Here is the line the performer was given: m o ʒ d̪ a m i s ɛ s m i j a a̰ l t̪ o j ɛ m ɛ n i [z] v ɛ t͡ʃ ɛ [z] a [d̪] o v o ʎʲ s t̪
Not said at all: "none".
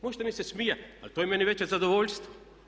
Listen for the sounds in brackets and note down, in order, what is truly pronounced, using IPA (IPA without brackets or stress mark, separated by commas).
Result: none, z, d̪